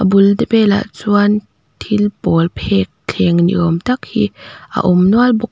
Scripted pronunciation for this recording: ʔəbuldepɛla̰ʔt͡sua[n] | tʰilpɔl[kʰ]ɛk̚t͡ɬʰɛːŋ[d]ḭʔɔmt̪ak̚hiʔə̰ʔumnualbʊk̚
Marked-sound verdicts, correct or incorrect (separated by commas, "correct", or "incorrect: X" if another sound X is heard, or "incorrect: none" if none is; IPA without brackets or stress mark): correct, incorrect: pʰ, incorrect: n